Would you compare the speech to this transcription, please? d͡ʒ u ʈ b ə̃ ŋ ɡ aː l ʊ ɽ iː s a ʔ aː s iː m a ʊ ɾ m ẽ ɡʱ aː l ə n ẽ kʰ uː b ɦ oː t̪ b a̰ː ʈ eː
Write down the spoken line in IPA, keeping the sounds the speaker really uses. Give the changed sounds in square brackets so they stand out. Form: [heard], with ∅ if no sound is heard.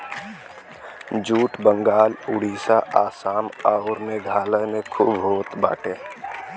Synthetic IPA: d͡ʒ [uː] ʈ b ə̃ ŋ ɡ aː l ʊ ɽ iː s a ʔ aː s [aː] m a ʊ ɾ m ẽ ɡʱ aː l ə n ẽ kʰ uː b ɦ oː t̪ b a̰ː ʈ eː